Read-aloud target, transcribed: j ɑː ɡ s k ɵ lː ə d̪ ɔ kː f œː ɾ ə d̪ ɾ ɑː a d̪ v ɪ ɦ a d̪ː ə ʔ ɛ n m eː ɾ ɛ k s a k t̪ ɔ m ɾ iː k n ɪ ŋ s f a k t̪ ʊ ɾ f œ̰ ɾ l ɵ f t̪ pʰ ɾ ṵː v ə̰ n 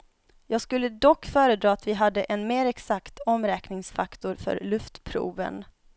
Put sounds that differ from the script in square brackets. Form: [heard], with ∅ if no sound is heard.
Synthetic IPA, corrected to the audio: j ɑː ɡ s k ɵ lː ə d̪ ɔ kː f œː ɾ ə d̪ ɾ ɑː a [t̪] v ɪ ɦ a d̪ː ə ʔ ɛ n m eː ɾ ɛ k s a k t̪ ɔ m ɾ [ɛː] k n ɪ ŋ s f a k t̪ ʊ ɾ f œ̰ ɾ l ɵ f t̪ pʰ ɾ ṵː v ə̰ n